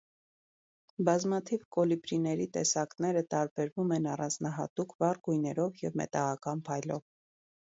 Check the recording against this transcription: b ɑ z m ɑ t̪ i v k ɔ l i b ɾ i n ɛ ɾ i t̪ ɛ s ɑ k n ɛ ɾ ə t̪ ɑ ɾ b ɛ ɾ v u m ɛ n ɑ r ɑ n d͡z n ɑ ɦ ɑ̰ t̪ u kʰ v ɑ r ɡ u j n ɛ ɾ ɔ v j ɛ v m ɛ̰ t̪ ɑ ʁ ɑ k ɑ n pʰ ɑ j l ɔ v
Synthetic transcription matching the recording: b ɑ z m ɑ t̪ʰ i v k ɔ l i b ɾ i n ɛ ɾ i t̪ ɛ s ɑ k n ɛ ɾ ə t̪ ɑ ɾ b ɛ ɾ v u m ɛ n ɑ r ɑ n d͡z n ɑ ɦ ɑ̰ t̪ u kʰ v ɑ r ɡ u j n ɛ ɾ ɔ v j ɛ v m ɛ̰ t̪ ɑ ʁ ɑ k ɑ n pʰ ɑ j l ɔ v